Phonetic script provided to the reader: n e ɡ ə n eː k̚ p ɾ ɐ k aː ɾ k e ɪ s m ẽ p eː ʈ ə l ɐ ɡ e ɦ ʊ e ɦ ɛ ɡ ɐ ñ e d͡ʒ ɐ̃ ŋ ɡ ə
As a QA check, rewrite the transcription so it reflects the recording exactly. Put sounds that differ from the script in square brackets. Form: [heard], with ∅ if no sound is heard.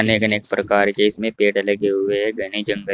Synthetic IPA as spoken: n e ɡ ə n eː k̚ p ɾ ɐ k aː ɾ k e ɪ s m ẽ p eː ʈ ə l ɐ ɡ e ɦ ʊ e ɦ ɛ ɡ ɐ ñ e d͡ʒ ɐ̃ ŋ ɡ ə